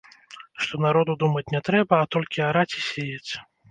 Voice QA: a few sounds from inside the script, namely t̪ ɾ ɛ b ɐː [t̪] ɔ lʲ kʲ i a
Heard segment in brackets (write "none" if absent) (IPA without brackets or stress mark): t̪